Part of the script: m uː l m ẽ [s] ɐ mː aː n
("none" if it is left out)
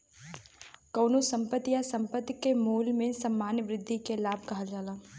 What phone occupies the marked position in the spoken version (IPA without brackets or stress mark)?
s